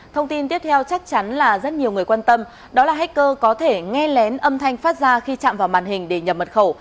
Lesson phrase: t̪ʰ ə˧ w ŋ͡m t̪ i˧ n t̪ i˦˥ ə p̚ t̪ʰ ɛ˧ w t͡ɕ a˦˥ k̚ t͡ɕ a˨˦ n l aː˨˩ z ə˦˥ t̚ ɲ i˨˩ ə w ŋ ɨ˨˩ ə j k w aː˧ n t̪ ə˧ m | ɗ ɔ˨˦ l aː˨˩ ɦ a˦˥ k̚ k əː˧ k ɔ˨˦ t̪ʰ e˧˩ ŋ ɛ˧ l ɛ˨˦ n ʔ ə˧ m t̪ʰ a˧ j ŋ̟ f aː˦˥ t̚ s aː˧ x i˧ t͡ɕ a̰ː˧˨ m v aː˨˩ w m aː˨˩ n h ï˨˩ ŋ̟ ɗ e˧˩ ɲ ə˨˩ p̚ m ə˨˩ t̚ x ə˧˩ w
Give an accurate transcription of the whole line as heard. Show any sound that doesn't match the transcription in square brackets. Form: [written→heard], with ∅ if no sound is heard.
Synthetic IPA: t̪ʰ ə˧ w ŋ͡m t̪ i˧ n t̪ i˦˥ ə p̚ t̪ʰ ɛ˧ w t͡ɕ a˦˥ k̚ t͡ɕ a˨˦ n l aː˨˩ z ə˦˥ t̚ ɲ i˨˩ ə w ŋ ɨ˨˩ ə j k w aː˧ n t̪ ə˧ m | ɗ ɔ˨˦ l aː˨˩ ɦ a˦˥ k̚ k əː˧ k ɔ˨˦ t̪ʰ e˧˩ ŋ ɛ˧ l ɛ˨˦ n ʔ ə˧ m t̪ʰ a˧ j ŋ̟ f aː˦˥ t̚ [s→z] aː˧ x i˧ t͡ɕ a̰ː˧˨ m v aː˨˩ w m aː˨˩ n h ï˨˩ ŋ̟ ɗ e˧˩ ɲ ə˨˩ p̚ m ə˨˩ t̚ x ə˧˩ w